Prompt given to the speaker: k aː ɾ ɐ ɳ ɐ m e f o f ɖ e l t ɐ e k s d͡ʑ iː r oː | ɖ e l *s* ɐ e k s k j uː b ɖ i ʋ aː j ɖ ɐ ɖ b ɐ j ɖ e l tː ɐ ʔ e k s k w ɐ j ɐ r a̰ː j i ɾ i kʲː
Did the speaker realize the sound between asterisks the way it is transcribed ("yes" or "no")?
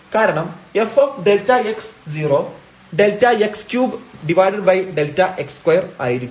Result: no